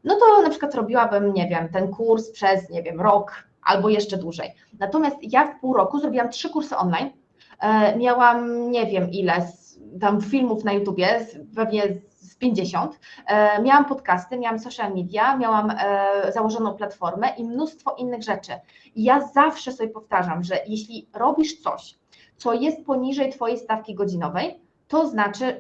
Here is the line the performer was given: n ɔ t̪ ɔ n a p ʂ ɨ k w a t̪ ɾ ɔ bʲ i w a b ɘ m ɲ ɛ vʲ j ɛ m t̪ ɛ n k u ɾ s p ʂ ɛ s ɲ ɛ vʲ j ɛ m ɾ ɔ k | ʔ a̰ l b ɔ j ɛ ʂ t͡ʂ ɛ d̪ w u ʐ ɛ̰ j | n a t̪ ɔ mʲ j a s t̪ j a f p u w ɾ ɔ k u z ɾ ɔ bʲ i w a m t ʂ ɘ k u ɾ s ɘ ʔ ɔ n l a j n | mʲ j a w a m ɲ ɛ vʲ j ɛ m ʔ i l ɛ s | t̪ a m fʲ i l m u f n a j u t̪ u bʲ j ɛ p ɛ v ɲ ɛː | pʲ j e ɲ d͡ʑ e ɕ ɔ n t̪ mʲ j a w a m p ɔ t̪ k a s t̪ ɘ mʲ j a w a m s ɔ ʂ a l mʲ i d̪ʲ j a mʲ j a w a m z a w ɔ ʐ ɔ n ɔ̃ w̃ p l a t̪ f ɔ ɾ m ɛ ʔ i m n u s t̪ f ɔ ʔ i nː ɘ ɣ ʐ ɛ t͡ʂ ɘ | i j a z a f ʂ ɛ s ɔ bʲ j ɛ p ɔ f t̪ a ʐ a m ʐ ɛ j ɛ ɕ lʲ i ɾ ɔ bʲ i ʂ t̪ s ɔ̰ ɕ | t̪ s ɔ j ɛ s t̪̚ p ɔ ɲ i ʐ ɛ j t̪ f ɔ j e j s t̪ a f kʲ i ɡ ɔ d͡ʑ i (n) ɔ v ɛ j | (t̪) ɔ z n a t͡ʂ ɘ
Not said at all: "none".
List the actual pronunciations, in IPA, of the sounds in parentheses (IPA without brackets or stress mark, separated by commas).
n, t̪